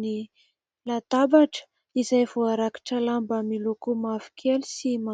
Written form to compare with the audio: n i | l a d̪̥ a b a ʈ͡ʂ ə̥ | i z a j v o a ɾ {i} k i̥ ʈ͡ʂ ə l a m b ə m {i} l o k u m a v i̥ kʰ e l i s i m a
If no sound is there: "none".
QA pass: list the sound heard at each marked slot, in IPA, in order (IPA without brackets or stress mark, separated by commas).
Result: a, i